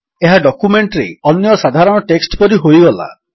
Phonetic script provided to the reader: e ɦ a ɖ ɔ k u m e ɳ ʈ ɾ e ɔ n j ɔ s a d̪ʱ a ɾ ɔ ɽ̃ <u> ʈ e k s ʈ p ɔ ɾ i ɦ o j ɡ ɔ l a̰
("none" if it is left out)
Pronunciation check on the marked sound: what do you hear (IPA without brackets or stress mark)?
ɔ